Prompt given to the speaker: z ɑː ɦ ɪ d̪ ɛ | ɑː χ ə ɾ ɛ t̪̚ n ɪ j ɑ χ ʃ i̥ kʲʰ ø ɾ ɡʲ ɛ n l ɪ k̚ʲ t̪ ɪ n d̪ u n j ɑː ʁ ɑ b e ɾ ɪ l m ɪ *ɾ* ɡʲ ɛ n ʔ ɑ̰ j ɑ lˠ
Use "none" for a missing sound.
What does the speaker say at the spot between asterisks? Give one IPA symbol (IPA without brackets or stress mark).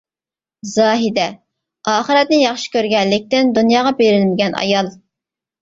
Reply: none